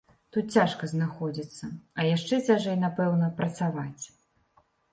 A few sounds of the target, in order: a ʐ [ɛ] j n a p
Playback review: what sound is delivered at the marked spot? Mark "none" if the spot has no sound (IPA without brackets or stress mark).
ɛ